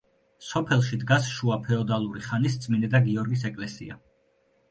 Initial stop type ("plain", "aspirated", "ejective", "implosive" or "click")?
aspirated